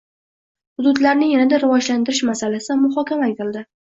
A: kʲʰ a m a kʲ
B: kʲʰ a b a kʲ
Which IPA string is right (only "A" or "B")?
A